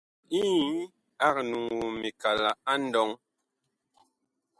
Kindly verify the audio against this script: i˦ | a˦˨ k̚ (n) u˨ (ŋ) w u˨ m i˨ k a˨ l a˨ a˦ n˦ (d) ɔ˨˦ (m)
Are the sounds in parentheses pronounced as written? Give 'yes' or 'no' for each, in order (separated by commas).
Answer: yes, yes, yes, no